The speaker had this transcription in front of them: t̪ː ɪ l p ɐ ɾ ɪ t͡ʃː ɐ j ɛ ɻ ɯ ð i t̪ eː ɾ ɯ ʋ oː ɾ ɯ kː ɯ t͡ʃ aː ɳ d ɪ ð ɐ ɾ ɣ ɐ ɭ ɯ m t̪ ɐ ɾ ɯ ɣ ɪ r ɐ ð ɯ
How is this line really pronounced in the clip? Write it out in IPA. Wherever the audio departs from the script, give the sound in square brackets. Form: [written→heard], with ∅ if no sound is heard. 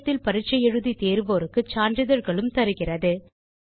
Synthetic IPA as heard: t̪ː ɪ l p ɐ ɾ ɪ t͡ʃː ɐ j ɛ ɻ ɯ ð i t̪ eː ɾ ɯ ʋ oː ɾ ɯ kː ɯ t͡ʃ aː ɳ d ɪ ð ɐ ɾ ɣ ɐ ɭ ɯ m t̪ ɐ ɾ ɯ ɣ ɪ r ɐ ð ɯ

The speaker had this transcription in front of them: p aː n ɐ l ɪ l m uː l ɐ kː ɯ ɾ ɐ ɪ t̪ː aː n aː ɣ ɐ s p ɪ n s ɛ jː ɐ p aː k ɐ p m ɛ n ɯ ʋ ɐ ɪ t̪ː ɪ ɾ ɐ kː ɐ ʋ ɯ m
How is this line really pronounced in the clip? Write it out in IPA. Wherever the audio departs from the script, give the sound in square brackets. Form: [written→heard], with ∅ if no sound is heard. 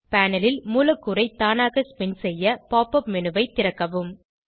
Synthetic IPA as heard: p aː n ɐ l ɪ l m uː l ɐ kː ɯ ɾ ɐ ɪ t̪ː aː n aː ɣ ɐ s p ɪ n s ɛ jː ɐ p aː [k→p] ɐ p m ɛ n ɯ ʋ ɐ ɪ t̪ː ɪ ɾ ɐ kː ɐ ʋ ɯ m

